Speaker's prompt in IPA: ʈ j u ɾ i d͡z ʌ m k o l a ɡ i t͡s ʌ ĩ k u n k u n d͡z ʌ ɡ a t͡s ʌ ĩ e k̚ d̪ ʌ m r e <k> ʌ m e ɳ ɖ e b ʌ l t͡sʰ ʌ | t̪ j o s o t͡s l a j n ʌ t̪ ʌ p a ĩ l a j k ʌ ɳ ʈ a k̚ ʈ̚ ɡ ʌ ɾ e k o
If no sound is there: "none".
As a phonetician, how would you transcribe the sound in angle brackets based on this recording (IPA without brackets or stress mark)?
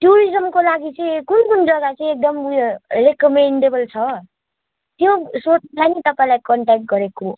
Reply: k